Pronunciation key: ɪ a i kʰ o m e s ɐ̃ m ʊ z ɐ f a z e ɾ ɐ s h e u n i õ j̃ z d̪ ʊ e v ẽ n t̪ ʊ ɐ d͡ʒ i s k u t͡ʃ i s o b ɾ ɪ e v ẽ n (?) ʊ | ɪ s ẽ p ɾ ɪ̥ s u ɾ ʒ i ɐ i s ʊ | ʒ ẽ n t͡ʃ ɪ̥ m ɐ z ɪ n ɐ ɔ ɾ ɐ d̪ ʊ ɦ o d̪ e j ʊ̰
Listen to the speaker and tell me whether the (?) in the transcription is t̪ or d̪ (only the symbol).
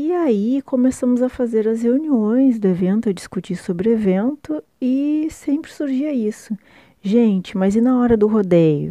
t̪